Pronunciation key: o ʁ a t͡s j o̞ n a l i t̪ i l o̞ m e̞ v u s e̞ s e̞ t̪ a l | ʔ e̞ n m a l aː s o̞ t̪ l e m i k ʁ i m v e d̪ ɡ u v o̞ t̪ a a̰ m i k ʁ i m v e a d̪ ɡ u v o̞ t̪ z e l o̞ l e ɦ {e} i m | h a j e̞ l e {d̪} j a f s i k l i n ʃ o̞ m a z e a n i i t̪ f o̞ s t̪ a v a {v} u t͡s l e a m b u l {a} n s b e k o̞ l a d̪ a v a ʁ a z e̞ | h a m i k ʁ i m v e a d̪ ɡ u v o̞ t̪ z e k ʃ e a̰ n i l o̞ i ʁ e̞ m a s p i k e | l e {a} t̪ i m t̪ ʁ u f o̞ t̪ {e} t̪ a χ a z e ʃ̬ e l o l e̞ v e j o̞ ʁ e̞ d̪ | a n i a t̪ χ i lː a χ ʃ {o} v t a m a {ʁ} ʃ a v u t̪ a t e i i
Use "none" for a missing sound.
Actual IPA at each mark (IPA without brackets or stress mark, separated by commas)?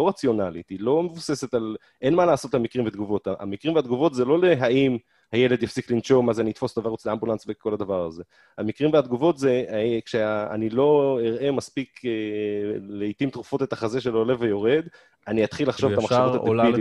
a, d̪, ʁ, a, i, e, o, χ